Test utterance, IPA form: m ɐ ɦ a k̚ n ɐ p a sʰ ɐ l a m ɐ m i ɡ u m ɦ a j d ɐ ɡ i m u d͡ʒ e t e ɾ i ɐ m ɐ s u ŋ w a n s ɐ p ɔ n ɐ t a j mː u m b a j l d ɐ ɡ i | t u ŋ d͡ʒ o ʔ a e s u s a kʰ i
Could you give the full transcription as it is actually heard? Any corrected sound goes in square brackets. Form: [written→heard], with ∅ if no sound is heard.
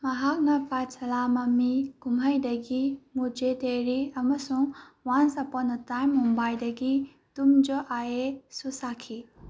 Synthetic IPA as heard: m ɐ ɦ a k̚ n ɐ p a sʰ ɐ l a m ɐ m i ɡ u m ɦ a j d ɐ ɡ i m u d͡ʒ e t e ɾ i ɐ m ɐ s u ŋ w a n s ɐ p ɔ n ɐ t a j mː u m b a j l d ɐ ɡ i | t u [ŋ→m] d͡ʒ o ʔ a e s u s a kʰ i

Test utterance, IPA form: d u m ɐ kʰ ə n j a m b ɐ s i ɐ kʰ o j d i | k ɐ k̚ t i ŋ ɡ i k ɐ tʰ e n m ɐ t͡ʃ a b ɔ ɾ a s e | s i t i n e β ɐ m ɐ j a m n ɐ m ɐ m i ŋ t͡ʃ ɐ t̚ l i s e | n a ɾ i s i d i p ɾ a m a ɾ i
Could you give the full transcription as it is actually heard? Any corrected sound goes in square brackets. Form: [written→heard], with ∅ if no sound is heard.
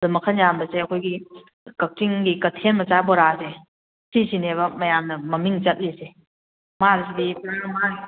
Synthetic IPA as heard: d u m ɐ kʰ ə n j a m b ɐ s [i→e] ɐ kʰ o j [d→ɡ] i | k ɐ k̚ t i ŋ ɡ i k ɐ tʰ e n m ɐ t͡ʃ a b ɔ ɾ a s e | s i [t→s] i n e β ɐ m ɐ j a m n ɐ m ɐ m i ŋ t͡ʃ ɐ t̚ l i s e | [n→m] a ɾ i s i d i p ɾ a m a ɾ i

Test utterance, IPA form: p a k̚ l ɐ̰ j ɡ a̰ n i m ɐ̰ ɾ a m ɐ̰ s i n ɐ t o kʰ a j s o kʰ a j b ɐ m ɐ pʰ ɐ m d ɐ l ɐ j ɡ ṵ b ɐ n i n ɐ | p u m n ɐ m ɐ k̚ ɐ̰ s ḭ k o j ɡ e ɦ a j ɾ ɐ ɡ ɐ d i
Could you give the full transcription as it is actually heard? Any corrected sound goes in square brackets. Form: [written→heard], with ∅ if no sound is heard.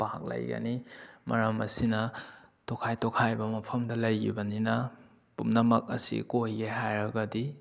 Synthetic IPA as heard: p a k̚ l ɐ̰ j ɡ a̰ n i m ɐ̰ ɾ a m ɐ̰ s i n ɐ t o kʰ a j [s→t] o kʰ a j b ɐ m ɐ pʰ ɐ m d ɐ l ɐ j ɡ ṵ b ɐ n i n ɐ | p u m n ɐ m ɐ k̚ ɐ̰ s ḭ k o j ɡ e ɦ a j ɾ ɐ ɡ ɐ d i

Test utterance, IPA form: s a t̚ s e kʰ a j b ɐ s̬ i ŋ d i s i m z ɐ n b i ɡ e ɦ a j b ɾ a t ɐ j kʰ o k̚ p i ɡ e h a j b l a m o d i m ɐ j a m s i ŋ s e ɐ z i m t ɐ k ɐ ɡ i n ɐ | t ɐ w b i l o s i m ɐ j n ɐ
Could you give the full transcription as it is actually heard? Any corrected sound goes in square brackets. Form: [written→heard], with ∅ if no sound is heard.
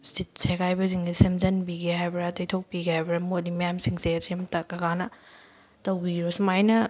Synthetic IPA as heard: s [a→i] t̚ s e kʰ a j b ɐ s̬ i ŋ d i s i m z ɐ n b i ɡ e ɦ a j b ɾ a t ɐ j [kʰ→tʰ] o k̚ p i ɡ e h a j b [l→ɾ] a m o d i m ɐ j a m s i ŋ s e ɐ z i m t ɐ k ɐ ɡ [i→a] n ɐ | t ɐ w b i [l→ɾ] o s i m [ɐ→a] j n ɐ

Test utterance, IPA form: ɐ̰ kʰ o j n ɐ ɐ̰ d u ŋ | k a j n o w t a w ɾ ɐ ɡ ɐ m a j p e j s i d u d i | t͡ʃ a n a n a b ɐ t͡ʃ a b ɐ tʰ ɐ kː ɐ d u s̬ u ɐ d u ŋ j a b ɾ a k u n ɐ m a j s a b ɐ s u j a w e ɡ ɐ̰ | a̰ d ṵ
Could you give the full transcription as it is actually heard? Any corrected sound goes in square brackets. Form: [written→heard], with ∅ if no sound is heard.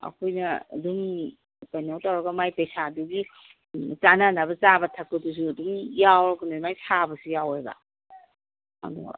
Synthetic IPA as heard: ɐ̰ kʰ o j n ɐ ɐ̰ d u ŋ | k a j n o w t a w ɾ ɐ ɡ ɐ m a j p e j s [i→a] d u [d→ɡ] i | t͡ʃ a n a n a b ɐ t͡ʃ a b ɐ tʰ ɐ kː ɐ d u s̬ u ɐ d u ŋ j a [b→w] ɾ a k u n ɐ m a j s a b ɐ s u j a w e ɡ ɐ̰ | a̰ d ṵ

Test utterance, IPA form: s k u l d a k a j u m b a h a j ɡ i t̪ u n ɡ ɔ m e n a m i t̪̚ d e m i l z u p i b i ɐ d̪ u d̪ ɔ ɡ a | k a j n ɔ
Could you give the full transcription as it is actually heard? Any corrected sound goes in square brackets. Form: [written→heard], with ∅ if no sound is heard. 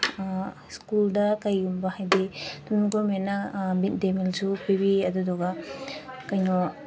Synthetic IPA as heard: s k u l d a k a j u m b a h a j [ɡ→d] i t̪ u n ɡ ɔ m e n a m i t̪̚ d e m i l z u p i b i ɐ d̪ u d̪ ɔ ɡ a | k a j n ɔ

